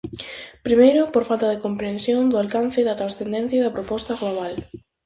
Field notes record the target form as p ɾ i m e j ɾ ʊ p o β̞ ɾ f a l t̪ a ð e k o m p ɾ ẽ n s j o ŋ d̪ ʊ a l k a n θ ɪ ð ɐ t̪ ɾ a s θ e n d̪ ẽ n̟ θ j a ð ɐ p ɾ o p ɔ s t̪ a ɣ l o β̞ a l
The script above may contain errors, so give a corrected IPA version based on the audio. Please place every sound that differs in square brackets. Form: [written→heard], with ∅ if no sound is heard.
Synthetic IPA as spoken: p ɾ i m e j ɾ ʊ p o [β̞→∅] ɾ f a l t̪ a ð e k o m p ɾ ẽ n s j o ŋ d̪ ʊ a l k a n θ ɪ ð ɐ t̪ ɾ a s θ e n d̪ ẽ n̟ θ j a ð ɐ p ɾ o p ɔ s t̪ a ɣ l o β̞ a l